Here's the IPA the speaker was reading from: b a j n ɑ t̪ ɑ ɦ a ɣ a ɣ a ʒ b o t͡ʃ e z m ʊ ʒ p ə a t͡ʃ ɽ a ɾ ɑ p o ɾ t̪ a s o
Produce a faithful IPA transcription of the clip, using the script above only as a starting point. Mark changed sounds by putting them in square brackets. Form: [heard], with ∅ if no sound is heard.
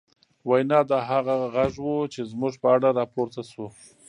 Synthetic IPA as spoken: [w] a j n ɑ [d̪] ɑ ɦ a ɣ a ɣ a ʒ [w] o t͡ʃ e z m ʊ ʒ p ə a [∅] ɽ a ɾ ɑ p o ɾ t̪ a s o